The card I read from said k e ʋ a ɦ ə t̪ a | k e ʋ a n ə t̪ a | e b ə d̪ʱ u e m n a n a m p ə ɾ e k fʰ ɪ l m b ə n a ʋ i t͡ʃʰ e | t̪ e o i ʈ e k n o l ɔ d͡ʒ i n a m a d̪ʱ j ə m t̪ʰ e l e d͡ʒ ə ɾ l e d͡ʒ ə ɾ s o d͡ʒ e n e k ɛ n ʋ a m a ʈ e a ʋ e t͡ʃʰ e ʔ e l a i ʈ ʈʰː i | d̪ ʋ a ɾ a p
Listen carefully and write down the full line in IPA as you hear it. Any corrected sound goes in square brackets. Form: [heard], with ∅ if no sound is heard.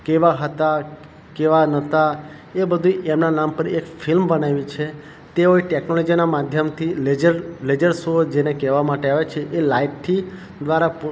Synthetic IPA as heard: k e ʋ a ɦ ə t̪ a | k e ʋ a n ə t̪ a | e b ə d̪ʱ u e m n a n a m p ə ɾ e k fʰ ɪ l m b ə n a ʋ i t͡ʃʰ e | t̪ e o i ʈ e k n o l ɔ d͡ʒ i n a m a d̪ʱ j ə m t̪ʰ [i] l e d͡ʒ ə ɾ l e d͡ʒ ə ɾ s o d͡ʒ e n e k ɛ [∅] ʋ a m a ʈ e a ʋ e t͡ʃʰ e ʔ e l a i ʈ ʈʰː i | d̪ ʋ a ɾ a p

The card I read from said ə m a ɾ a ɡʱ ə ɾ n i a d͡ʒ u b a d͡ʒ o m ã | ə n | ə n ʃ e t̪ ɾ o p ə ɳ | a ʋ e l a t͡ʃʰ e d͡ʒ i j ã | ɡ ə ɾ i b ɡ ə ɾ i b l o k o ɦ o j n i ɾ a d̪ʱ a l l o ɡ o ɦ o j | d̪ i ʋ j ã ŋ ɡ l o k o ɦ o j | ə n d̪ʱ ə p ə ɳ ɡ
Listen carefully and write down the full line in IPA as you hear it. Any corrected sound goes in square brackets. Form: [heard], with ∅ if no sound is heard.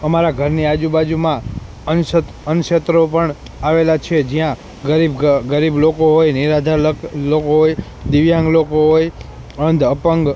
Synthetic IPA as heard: ə m a ɾ a ɡʱ ə ɾ n i a d͡ʒ u b a d͡ʒ [u] m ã | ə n | ə n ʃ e t̪ ɾ o p ə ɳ | a ʋ e l a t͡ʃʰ e d͡ʒ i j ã | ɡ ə ɾ i b ɡ ə ɾ i b l o k o ɦ o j n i ɾ a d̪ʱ a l l o [k] o ɦ o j | d̪ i ʋ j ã ŋ ɡ l o k o ɦ o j | ə n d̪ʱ ə p ə [ŋ] ɡ

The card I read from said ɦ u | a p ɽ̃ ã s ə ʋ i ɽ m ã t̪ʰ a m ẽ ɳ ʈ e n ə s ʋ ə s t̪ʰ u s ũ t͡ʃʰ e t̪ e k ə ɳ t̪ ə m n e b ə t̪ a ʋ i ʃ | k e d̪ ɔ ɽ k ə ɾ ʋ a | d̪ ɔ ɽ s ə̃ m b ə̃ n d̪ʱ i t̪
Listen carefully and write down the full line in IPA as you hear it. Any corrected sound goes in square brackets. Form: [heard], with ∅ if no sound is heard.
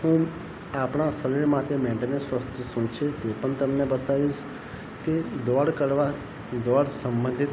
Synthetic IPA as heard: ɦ [ũ] | a p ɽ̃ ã s ə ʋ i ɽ m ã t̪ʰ [e] m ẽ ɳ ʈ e n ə s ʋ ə s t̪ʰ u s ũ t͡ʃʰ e t̪ e [p] ə ɳ t̪ ə m n e b ə t̪ a ʋ i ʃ | k e d̪ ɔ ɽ k ə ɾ ʋ a | d̪ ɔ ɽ s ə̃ m b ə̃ n d̪ʱ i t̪

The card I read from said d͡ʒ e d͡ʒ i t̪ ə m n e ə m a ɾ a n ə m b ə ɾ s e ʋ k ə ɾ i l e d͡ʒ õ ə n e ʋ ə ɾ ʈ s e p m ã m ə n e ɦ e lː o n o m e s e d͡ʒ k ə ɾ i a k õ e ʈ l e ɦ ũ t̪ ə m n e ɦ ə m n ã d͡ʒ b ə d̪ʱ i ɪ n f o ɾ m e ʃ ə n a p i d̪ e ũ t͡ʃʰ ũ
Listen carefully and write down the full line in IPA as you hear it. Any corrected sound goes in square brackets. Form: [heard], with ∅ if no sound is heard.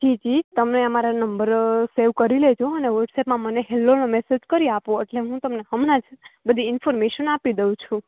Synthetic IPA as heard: d͡ʒ [i] d͡ʒ i t̪ ə m n e ə m a ɾ a n ə m b ə ɾ s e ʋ k ə ɾ i l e d͡ʒ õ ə n e ʋ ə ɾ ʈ s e p m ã m ə n e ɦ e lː o n o m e s e d͡ʒ k ə ɾ i a [p] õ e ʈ l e ɦ ũ t̪ ə m n e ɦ ə m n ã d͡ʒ b ə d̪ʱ i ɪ n f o ɾ m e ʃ ə n a p i d̪ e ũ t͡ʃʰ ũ

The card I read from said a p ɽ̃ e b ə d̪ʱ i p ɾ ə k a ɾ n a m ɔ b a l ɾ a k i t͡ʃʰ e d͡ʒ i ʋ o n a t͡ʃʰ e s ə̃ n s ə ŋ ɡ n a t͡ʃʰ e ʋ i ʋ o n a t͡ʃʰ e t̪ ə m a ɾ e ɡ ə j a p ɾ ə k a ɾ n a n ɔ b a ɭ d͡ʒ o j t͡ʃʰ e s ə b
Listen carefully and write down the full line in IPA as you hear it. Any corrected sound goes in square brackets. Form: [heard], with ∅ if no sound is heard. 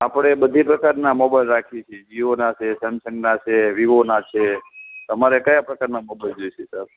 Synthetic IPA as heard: a p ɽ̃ e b ə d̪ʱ i p ɾ ə k a ɾ n a m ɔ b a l ɾ a [kʰ] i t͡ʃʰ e d͡ʒ i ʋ o n a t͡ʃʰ e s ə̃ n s ə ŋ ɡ n a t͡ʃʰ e ʋ i ʋ o n a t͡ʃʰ e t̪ ə m a ɾ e [k] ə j a p ɾ ə k a ɾ n a [m] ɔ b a [l] d͡ʒ o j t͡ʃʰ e s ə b

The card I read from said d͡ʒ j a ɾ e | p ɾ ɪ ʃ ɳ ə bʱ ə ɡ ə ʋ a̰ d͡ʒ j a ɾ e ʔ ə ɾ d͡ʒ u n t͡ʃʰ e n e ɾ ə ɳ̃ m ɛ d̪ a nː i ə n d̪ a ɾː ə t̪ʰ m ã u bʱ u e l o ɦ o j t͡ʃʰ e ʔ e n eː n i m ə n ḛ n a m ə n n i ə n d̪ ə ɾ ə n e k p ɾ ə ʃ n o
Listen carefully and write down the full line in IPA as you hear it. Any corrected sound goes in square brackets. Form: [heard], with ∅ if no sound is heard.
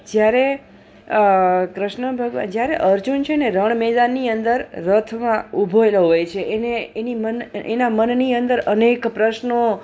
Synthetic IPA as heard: d͡ʒ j a ɾ e | [k] ɾ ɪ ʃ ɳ ə bʱ ə ɡ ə ʋ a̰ d͡ʒ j a ɾ e ʔ ə ɾ d͡ʒ u n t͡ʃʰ e n e ɾ ə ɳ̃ m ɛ d̪ a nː i ə n d̪ [ə] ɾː ə t̪ʰ m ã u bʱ [o] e l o ɦ o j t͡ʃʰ e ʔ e n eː n i m ə n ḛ n a m ə n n i ə n d̪ ə ɾ ə n e k p ɾ ə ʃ n o

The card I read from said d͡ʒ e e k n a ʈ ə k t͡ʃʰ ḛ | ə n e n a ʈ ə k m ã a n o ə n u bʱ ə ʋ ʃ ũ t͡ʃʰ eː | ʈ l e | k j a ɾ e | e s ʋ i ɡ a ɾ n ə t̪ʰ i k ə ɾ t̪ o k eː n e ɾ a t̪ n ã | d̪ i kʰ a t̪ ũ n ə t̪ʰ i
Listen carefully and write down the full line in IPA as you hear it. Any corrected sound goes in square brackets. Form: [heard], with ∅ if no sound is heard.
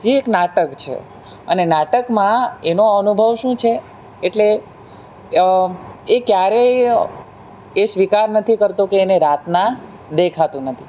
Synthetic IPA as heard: d͡ʒ e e k n a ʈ ə k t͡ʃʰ ḛ | ə n e n a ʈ ə k m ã [e] n o ə n u bʱ ə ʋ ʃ ũ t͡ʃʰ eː | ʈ l e | k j a ɾ e | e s ʋ i [k] a ɾ n ə t̪ʰ i k ə ɾ t̪ o k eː n e ɾ a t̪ n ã | d̪ [e] kʰ a t̪ ũ n ə t̪ʰ i

